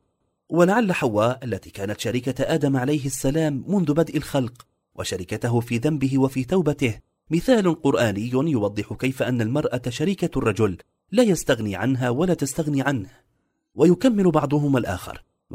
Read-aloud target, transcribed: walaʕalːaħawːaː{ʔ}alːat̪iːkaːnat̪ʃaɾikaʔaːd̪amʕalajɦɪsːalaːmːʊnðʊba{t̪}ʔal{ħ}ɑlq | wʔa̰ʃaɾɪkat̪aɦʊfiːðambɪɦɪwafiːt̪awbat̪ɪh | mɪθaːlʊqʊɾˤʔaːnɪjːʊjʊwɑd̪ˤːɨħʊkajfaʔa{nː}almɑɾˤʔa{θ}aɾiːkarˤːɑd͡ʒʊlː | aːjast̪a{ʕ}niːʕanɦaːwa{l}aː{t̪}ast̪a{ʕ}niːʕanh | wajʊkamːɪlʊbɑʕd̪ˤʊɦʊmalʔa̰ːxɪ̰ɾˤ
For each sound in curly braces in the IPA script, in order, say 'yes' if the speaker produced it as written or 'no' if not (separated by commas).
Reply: yes, no, no, yes, no, no, yes, yes, no